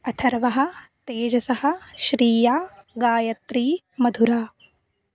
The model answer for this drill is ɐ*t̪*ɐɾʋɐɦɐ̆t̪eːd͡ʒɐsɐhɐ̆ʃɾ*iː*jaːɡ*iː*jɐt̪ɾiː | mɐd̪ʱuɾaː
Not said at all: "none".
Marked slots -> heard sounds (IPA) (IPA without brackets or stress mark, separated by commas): t̪ʰ, iː, aː